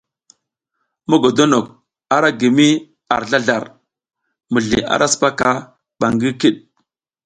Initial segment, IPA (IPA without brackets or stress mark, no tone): m